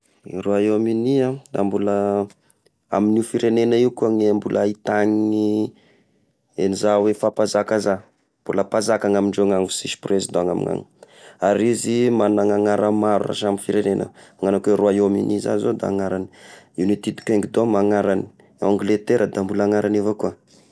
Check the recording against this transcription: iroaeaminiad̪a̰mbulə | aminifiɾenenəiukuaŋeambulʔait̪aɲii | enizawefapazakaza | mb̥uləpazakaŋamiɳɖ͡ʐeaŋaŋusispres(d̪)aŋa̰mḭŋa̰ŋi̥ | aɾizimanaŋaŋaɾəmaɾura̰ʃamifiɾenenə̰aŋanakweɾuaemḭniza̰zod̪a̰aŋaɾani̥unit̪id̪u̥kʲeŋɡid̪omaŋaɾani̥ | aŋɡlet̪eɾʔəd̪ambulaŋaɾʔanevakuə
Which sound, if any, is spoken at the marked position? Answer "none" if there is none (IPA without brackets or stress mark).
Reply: d̪